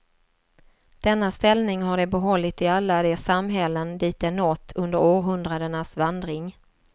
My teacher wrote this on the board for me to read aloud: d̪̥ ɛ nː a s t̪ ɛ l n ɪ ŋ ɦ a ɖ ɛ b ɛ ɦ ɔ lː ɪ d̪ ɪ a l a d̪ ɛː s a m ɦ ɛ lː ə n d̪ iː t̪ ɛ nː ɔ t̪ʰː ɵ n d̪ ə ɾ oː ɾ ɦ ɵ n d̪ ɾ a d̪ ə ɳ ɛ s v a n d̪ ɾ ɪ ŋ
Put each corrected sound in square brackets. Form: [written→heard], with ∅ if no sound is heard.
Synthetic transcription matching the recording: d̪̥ ɛ nː a s t̪ ɛ l n ɪ ŋ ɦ a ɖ ɛ b ɛ ɦ ɔ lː ɪ [d̪→t̪] ɪ a [l→lː] a d̪ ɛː s a m ɦ ɛ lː ə n d̪ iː t̪ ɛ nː ɔ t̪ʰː ɵ n d̪ ə ɾ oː ɾ ɦ ɵ n d̪ ɾ a d̪ ə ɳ [ɛ→a] s v a n d̪ ɾ ɪ ŋ

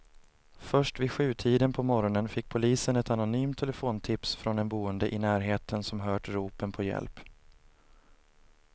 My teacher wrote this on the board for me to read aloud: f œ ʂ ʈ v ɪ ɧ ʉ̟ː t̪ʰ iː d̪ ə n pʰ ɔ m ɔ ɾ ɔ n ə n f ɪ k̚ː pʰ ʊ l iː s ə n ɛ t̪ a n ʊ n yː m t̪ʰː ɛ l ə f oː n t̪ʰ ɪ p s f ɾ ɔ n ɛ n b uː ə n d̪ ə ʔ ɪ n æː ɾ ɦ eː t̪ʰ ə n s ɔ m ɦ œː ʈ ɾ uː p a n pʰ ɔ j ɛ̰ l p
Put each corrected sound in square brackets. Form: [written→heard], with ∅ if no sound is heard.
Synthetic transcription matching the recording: f œ ʂ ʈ v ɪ ɧ ʉ̟ː t̪ʰ iː d̪ ə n pʰ ɔ m ɔ ɾ ɔ n ə n f ɪ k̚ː pʰ ʊ l iː s ə n ɛ t̪ a n ʊ n yː m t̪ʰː ɛ l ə f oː n t̪ʰ ɪ p s f ɾ ɔ n ɛ n b uː ə n d̪ ə ʔ ɪ n æː ɾ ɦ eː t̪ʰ ə n s ɔ m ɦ œː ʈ ɾ uː p [a→ə] n pʰ ɔ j ɛ̰ l p

